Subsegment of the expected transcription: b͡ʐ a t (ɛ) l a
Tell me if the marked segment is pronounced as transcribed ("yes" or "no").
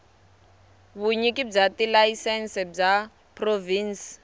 no